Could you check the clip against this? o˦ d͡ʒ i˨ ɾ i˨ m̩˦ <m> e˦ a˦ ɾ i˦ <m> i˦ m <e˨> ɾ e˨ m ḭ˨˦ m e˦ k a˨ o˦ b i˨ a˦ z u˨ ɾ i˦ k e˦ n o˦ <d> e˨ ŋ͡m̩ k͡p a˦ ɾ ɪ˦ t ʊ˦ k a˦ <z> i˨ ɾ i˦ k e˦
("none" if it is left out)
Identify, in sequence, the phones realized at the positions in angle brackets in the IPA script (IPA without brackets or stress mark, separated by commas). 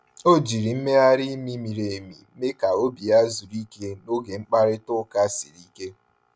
m, m, i˨, ɡ, s